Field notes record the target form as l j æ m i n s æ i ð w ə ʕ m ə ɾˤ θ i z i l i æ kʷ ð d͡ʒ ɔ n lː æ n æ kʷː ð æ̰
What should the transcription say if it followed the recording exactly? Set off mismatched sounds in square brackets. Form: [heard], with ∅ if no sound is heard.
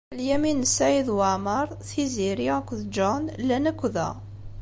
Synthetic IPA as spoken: l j æ m i n s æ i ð w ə ʕ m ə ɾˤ θ i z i [ɾ] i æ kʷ ð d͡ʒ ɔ n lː æ n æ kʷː ð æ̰